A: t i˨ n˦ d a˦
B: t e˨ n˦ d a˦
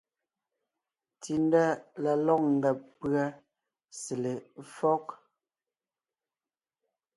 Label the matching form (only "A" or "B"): A